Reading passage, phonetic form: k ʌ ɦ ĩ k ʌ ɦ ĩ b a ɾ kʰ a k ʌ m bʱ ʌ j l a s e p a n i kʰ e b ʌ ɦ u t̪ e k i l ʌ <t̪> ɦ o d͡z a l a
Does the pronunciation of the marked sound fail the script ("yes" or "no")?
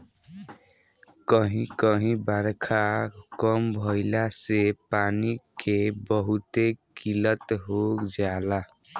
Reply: no